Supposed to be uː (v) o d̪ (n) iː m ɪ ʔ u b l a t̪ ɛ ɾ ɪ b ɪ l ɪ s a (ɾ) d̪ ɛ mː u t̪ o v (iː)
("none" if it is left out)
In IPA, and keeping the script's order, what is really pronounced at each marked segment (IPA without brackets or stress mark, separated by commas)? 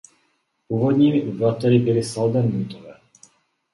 v, ɲ, l, ɛː